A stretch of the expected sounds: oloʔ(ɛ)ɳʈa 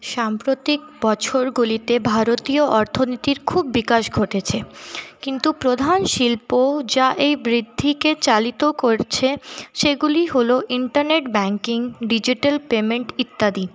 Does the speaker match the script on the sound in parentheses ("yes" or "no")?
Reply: no